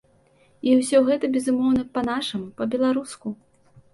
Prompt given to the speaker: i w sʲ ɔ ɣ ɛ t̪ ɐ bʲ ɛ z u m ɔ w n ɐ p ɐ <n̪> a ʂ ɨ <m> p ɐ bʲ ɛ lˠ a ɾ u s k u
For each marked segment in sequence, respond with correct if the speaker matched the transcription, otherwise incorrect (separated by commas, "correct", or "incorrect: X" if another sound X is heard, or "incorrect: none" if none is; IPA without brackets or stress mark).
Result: correct, correct